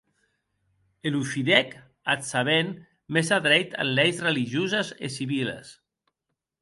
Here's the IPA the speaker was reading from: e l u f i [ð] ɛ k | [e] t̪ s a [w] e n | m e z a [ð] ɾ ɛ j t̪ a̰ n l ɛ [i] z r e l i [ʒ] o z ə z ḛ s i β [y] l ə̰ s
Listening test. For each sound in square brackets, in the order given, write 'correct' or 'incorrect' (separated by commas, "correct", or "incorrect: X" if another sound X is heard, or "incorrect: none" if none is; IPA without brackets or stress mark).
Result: correct, incorrect: a, incorrect: β, correct, incorrect: j, correct, incorrect: i